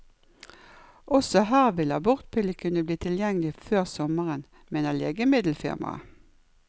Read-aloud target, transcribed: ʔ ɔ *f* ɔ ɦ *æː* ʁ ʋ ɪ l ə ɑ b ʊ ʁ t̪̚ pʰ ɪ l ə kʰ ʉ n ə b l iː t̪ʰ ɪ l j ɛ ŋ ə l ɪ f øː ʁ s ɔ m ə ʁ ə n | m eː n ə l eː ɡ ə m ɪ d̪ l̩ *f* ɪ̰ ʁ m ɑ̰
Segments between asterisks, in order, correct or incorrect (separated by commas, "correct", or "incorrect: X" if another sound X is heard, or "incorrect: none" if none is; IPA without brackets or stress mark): incorrect: s, correct, correct